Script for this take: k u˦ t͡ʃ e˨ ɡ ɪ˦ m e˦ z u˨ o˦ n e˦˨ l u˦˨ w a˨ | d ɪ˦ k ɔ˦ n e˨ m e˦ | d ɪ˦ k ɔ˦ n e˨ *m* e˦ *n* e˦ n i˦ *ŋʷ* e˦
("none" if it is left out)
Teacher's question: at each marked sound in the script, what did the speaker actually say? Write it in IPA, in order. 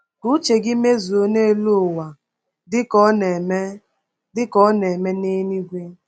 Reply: m, n, ɡʷ

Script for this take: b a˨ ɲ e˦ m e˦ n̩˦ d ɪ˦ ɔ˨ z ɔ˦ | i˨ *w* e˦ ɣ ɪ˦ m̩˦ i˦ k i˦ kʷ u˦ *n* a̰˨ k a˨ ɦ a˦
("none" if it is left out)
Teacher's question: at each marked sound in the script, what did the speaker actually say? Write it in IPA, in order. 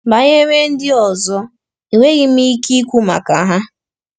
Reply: w, m

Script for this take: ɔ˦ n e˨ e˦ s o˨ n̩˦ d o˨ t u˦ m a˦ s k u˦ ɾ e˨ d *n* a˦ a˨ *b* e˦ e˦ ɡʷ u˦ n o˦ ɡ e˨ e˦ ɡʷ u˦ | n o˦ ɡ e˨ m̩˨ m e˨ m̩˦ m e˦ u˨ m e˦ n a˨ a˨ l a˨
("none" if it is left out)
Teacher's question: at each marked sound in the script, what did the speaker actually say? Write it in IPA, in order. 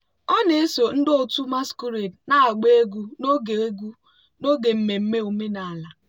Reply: n, ɡ͡b

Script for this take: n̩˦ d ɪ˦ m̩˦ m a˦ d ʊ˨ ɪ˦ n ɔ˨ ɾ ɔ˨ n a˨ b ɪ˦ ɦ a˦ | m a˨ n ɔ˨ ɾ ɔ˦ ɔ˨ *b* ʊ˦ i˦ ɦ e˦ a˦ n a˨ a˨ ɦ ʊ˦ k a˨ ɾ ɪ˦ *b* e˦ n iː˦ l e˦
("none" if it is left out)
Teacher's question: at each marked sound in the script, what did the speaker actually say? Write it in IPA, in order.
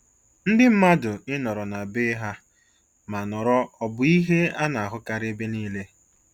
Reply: b, b

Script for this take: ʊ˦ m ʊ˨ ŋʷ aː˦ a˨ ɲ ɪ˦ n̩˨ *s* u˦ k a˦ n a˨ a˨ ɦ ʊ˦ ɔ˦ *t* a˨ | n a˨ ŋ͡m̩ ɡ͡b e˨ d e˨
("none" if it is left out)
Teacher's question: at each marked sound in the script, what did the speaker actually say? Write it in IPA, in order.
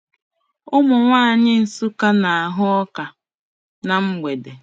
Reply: s, k

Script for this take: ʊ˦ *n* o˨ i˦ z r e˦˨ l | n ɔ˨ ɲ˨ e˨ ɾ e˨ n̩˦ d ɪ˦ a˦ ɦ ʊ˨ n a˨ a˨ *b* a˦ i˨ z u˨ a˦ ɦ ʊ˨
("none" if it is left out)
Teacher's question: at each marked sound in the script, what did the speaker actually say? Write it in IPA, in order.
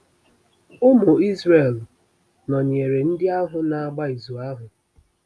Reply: m, ɡ͡b

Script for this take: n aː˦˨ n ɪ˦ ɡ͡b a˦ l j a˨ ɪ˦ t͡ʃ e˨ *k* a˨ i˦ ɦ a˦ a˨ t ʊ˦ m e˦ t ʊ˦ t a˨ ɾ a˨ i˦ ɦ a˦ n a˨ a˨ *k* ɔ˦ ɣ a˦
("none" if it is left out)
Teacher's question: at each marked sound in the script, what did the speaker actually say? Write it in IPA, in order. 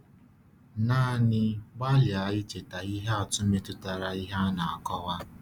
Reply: t, k

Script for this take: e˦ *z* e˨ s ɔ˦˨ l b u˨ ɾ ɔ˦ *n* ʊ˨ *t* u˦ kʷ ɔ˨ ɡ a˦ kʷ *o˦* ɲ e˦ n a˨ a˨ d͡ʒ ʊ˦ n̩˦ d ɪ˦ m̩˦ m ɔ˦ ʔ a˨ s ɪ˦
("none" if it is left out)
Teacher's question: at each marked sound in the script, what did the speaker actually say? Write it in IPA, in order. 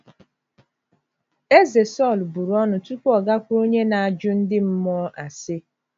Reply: z, n, t, o˦

